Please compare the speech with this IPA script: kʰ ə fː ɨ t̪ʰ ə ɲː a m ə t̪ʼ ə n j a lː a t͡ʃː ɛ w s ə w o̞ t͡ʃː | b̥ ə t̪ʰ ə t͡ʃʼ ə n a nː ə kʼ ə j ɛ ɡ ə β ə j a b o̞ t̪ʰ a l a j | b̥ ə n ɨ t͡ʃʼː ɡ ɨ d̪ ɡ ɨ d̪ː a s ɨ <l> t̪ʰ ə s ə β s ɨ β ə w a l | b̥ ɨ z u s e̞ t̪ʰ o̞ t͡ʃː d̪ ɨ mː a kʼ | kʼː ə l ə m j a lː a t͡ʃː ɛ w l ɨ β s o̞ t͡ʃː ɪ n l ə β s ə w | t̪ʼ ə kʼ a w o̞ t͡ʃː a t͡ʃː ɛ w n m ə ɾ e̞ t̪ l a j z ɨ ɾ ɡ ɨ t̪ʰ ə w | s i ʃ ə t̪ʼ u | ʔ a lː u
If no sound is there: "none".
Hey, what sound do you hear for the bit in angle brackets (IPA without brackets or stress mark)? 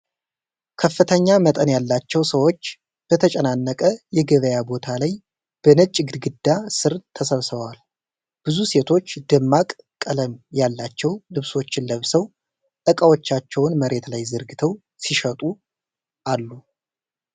ɾ